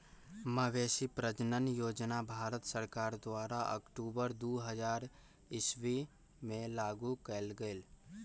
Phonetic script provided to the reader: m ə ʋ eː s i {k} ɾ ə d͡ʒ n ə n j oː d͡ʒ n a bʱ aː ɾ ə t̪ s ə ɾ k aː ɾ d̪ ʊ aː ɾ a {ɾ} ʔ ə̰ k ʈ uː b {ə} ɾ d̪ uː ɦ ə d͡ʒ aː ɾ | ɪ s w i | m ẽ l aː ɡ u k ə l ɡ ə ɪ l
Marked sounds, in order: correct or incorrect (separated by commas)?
incorrect, incorrect, correct